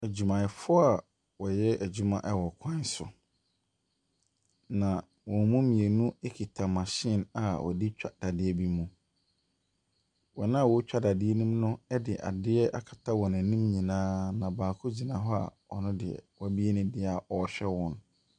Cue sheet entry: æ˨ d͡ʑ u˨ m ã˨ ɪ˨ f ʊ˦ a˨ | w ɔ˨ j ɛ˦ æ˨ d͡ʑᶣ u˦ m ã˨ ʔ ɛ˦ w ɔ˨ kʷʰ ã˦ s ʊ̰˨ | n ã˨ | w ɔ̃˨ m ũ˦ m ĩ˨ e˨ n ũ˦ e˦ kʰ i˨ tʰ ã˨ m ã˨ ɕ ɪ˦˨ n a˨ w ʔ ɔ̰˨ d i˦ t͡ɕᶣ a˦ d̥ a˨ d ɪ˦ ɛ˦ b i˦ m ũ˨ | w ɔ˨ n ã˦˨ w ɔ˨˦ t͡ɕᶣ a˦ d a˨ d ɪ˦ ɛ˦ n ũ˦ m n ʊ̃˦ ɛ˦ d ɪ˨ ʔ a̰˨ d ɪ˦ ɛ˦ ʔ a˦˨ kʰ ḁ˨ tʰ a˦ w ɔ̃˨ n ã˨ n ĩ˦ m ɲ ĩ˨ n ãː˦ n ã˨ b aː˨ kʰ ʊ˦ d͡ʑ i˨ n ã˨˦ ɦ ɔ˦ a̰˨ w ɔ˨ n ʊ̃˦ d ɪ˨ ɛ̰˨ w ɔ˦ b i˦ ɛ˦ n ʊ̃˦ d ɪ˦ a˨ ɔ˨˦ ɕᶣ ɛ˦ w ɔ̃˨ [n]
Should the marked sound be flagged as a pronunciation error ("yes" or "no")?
no